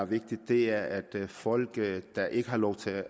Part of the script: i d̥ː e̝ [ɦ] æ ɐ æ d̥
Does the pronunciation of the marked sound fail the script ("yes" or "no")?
yes